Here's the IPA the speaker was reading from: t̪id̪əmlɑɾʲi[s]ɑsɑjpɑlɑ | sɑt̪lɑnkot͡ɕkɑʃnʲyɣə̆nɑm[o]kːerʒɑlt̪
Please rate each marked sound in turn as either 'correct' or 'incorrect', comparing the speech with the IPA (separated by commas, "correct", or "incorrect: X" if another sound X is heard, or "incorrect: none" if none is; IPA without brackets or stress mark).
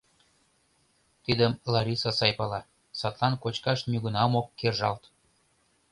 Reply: correct, correct